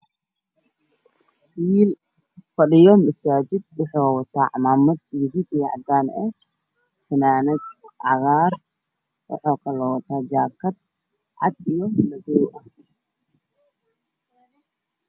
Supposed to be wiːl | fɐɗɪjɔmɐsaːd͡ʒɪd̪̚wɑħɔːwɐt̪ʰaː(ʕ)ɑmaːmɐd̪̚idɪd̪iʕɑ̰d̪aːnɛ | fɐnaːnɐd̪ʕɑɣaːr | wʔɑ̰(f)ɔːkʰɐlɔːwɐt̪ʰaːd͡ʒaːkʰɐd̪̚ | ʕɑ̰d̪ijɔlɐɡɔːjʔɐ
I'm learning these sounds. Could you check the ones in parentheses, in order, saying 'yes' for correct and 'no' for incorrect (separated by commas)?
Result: yes, no